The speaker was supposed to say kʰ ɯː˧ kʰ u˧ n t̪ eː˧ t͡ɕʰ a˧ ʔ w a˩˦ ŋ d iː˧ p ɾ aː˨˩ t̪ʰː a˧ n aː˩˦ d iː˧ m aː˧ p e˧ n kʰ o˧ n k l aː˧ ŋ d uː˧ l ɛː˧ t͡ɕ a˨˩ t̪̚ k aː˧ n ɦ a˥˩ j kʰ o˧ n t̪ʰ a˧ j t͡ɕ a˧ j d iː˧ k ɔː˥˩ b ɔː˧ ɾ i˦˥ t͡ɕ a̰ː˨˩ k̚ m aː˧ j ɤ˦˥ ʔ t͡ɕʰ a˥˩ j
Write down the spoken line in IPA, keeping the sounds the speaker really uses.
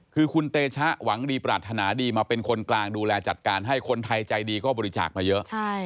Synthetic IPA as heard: kʰ ɯː˧ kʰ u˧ n t̪ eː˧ t͡ɕʰ a˦˥ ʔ w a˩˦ ŋ d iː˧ p ɾ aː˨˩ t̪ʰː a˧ n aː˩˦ d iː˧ m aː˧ p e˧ n kʰ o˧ n k l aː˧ ŋ d uː˧ l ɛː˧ t͡ɕ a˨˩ t̪̚ k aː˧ n ɦ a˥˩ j kʰ o˧ n t̪ʰ a˧ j t͡ɕ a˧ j d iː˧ k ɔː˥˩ b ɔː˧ ɾ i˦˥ t͡ɕ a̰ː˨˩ k̚ m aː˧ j ɤ˦˥ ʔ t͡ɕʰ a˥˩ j